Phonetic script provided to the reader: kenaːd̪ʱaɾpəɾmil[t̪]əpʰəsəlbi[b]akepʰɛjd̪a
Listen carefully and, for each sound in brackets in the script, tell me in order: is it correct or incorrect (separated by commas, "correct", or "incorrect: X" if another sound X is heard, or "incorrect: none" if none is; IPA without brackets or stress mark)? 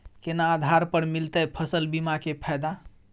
correct, incorrect: m